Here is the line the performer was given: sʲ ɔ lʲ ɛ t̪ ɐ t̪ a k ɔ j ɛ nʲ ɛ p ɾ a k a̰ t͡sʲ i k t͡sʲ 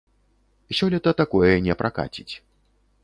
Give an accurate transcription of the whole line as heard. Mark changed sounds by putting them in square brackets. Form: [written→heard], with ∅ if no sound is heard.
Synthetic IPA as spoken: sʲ ɔ lʲ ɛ t̪ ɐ t̪ a k ɔ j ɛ nʲ ɛ p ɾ a k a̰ t͡sʲ i [k→∅] t͡sʲ